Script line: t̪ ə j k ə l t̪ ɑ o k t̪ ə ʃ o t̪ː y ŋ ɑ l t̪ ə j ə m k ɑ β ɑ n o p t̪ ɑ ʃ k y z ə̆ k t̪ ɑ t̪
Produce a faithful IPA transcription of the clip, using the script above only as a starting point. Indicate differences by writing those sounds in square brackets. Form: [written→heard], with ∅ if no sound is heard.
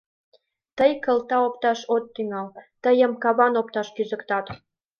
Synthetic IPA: t̪ ə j k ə l t̪ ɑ o [k→p] t̪ [ə→ɑ] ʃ o t̪ː y ŋ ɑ l t̪ ə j ə m k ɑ β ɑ n o p t̪ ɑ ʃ k y z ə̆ k t̪ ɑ t̪